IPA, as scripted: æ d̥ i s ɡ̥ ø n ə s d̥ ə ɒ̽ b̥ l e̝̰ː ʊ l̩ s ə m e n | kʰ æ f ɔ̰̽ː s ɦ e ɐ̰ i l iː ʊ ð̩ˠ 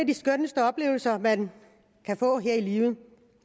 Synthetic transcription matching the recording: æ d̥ i s ɡ̥ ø n ə s d̥ ə ɒ̽ b̥ l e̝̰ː ʊ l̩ s ɐ m æ n | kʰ æ f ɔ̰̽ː ɦ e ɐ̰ i l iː ʊ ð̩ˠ